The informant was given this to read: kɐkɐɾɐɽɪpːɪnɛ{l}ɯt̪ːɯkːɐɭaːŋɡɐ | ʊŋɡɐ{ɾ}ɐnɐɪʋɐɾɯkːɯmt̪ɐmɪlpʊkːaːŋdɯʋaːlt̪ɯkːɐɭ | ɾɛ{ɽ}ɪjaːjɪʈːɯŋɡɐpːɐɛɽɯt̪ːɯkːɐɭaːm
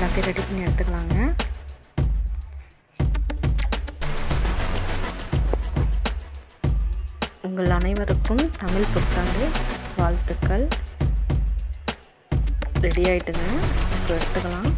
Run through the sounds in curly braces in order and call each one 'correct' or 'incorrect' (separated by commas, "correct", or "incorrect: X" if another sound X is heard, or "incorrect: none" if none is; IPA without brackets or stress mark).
incorrect: ɽ, incorrect: ɭ, correct